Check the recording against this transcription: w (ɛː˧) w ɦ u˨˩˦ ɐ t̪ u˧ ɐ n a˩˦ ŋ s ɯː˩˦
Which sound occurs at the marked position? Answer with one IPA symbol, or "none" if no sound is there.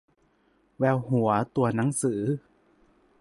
ɛː˧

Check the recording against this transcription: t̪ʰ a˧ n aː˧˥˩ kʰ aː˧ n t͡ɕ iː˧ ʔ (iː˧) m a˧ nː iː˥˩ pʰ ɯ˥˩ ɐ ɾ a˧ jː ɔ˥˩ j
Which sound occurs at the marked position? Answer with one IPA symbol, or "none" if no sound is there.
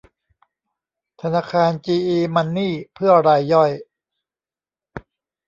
iː˧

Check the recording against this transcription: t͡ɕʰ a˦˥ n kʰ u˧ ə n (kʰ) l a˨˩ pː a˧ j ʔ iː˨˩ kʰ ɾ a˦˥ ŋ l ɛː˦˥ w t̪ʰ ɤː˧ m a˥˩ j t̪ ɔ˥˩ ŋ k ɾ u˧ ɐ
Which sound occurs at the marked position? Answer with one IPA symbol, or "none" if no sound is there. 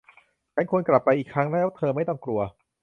k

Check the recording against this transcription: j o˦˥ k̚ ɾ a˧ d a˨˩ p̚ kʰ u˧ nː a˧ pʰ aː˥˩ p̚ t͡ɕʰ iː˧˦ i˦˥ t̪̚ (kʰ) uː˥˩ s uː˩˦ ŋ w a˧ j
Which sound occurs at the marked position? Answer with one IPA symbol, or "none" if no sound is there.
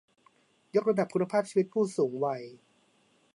pʰ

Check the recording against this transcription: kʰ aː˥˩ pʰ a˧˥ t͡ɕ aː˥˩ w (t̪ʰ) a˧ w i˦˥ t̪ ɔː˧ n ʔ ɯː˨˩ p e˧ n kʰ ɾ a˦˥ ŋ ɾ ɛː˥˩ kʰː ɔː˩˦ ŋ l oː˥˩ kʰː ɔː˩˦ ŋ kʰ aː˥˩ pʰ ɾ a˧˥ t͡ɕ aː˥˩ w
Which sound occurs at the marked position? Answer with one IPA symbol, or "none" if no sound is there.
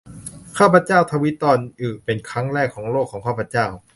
t̪ʰ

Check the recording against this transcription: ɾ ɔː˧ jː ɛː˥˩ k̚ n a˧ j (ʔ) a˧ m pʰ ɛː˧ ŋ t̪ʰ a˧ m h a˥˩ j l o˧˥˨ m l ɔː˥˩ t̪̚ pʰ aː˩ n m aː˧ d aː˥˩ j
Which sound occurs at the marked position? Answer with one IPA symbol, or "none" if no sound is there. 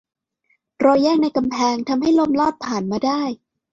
k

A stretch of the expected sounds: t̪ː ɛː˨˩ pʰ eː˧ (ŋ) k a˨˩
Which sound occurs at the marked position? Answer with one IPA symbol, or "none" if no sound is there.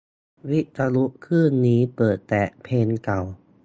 n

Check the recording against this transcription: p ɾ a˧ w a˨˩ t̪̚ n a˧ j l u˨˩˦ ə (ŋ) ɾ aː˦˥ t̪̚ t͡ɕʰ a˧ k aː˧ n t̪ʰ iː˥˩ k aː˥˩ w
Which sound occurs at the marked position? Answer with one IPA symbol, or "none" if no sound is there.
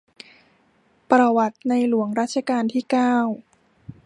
ŋ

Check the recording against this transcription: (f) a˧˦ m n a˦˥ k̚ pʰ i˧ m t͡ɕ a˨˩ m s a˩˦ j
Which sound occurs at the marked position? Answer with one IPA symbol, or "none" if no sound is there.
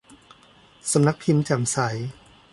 s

